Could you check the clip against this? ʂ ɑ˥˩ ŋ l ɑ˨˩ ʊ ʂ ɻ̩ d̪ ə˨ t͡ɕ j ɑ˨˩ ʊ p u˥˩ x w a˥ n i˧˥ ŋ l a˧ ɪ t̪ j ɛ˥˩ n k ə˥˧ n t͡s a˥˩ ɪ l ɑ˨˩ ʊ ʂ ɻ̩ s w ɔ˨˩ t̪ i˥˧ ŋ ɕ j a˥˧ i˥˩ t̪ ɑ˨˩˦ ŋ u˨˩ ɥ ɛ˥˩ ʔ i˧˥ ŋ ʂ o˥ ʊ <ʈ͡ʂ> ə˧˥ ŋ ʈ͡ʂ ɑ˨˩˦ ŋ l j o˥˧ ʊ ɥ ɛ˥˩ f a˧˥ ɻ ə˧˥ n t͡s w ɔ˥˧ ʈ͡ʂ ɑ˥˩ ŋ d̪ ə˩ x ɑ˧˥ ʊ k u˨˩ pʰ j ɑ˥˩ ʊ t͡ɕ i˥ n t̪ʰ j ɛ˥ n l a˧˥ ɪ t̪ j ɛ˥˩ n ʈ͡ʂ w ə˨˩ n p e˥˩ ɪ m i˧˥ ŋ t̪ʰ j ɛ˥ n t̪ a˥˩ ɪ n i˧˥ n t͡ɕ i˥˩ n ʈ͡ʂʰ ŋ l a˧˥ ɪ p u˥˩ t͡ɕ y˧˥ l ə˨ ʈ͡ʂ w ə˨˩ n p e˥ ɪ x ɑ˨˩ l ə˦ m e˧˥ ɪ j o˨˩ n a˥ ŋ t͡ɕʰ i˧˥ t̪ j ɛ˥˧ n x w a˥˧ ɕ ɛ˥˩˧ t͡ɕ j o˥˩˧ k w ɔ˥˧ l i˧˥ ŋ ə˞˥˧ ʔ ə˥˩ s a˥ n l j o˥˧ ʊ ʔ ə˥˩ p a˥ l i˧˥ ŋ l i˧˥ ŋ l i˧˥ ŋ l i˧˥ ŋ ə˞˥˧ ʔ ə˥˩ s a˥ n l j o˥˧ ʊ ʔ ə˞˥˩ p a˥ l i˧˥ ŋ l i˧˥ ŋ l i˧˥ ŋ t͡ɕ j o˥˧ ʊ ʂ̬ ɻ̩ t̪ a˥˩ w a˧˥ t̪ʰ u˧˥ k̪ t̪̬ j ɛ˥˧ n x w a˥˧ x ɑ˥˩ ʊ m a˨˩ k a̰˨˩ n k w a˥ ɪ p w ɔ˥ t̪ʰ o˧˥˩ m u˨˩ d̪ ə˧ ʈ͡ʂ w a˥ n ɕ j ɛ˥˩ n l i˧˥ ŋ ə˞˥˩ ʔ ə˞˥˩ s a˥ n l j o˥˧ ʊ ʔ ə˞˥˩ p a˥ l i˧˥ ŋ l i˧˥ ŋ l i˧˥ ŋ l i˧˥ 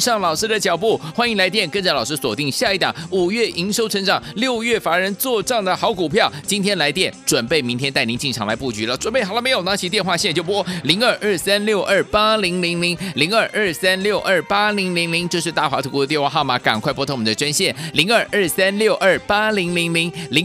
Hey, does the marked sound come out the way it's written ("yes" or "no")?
no